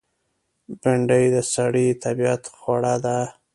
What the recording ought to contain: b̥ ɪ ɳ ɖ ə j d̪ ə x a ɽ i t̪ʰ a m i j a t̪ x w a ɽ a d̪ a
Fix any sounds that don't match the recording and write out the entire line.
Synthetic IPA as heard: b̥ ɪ ɳ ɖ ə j d̪ ə s a ɽ i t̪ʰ a b i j a t̪ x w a ɽ a d̪ a